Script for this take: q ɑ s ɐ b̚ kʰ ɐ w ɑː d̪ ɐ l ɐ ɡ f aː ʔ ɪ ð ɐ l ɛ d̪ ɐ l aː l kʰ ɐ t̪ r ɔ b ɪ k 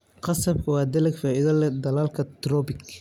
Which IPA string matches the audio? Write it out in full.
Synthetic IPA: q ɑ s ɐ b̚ kʰ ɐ w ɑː d̪ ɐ l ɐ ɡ f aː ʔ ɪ ð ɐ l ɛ d̪ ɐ l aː l kʰ ɐ t̪ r ɔ b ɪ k